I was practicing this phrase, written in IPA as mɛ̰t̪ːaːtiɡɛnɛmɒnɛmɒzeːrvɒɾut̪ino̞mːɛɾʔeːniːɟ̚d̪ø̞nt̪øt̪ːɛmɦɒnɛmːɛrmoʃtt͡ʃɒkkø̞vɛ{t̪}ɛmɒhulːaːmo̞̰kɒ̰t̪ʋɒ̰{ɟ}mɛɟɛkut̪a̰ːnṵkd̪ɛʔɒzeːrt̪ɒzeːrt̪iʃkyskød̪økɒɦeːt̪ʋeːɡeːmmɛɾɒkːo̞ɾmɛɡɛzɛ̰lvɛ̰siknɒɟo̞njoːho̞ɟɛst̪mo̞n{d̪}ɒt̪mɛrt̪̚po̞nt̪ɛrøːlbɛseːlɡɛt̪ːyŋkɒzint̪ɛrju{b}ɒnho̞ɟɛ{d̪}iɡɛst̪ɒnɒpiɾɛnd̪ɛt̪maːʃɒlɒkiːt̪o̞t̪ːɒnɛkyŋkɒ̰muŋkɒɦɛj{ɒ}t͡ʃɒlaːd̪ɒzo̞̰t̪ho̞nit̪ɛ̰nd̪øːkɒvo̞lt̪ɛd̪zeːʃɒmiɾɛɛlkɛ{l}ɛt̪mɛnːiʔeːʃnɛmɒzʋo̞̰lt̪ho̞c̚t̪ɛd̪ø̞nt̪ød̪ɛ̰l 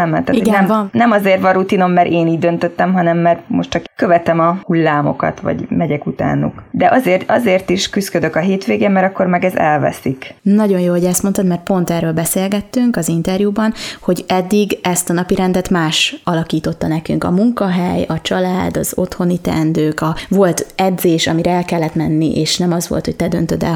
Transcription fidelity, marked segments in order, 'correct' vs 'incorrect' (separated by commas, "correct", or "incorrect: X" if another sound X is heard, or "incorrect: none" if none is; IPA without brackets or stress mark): correct, correct, incorrect: t̪, correct, incorrect: d̪ː, correct, incorrect: lː